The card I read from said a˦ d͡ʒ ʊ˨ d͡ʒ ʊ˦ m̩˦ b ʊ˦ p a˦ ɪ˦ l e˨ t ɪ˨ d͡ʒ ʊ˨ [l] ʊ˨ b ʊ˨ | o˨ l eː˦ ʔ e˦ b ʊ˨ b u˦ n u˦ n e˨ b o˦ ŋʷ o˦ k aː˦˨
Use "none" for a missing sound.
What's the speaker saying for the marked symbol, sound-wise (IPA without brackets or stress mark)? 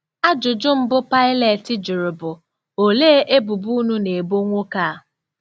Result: ɾ